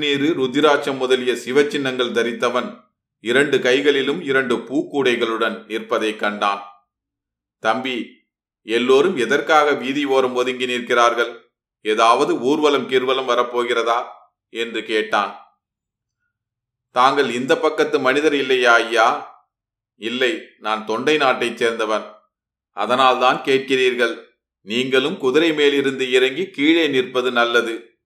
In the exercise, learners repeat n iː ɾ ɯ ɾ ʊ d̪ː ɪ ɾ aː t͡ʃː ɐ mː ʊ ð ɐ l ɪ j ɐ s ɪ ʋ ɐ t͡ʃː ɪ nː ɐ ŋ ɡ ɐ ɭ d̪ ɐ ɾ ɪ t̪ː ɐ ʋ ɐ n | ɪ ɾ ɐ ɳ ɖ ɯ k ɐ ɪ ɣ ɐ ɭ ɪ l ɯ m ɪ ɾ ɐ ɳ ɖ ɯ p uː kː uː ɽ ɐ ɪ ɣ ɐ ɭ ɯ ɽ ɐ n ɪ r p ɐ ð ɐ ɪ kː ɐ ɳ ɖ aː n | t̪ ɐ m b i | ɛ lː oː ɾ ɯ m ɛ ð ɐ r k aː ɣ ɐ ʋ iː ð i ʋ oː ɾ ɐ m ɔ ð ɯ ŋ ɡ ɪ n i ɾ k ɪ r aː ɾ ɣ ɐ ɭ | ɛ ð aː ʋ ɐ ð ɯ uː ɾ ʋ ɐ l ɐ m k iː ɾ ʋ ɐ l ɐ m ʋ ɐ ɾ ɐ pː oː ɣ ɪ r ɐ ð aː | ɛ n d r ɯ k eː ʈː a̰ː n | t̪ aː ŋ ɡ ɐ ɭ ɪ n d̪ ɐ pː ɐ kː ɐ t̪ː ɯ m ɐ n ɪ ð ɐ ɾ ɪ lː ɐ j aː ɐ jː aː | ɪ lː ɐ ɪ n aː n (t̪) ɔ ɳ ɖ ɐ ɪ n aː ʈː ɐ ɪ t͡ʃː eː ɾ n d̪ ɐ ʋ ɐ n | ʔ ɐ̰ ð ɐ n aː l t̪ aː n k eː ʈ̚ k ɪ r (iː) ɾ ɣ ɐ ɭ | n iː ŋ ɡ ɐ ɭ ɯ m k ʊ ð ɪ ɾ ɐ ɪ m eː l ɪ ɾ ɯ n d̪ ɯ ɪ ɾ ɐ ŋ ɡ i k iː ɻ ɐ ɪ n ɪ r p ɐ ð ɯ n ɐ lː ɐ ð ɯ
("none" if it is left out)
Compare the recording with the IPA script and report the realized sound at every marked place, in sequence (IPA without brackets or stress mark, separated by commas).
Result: t̪, iː